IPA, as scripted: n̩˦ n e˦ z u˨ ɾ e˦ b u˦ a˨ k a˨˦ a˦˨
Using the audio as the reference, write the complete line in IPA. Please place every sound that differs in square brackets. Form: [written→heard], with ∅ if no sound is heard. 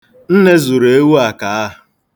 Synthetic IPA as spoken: n̩˦ n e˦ z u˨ ɾ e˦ [b→w] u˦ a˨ k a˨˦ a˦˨